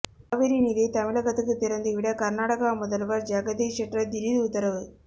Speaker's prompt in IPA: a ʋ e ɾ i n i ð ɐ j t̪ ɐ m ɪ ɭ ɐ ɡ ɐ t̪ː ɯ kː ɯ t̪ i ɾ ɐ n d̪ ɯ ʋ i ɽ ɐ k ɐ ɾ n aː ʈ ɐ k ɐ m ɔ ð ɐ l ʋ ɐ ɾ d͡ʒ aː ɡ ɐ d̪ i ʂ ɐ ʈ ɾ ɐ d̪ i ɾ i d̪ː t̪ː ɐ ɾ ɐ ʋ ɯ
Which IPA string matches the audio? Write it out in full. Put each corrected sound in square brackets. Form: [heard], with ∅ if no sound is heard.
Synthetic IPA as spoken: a ʋ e ɾ i n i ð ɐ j t̪ ɐ m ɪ ɭ ɐ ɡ ɐ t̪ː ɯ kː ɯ t̪ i ɾ ɐ n d̪ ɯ ʋ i ɽ ɐ k ɐ ɾ n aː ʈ ɐ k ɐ m ɔ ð ɐ l ʋ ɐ ɾ d͡ʒ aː ɡ ɐ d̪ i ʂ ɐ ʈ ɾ ɐ d̪ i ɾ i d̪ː t̪ː ɐ ɾ ɐ ʋ ɯ